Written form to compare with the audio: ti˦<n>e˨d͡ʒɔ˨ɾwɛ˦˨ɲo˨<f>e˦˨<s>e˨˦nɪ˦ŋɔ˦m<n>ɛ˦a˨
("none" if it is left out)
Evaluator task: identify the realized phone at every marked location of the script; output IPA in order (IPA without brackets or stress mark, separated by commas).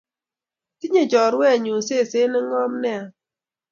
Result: ɲ, s, s, n